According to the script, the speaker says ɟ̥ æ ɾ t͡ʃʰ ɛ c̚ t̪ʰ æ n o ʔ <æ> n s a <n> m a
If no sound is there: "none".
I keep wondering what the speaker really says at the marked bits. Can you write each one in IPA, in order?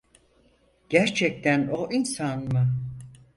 i, n

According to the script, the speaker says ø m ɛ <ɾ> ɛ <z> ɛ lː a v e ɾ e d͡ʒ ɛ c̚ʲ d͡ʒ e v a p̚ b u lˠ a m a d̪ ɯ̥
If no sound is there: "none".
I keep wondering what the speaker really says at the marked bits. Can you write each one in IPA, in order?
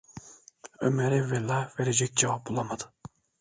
ɾ, v

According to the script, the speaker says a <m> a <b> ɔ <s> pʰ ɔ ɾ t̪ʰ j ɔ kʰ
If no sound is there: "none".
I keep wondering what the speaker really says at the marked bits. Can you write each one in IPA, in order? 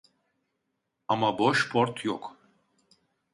m, b, ʃ

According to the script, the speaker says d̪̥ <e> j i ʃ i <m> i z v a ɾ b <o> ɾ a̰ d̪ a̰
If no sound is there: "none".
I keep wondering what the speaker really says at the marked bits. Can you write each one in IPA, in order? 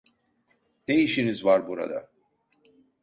e, n, u

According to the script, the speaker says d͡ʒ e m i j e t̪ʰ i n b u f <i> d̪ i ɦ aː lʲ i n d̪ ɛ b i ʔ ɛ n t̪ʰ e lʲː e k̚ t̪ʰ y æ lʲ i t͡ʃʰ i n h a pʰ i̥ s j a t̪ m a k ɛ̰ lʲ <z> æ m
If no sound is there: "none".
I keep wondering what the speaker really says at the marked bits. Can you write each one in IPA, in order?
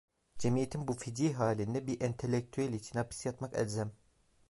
i, z

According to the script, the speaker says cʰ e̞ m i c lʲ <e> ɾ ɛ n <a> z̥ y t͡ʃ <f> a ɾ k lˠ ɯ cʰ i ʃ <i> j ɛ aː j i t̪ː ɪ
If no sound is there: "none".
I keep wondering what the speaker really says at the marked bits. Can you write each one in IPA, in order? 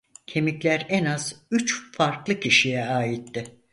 æ, a, f, i

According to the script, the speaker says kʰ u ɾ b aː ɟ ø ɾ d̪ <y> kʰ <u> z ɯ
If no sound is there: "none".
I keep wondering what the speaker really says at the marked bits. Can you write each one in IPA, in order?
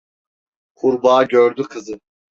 y, ɯ

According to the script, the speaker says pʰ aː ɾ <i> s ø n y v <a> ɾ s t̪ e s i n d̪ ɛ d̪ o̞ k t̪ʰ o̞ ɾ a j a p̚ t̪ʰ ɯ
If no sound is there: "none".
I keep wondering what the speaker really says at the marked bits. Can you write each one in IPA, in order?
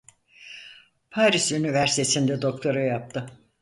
i, æ

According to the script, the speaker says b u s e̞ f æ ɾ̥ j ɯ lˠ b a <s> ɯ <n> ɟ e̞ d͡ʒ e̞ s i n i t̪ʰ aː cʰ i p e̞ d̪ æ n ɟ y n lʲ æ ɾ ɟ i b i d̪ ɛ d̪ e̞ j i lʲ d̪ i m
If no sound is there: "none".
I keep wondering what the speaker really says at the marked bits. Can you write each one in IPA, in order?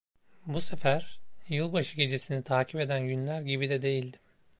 ʃ, none

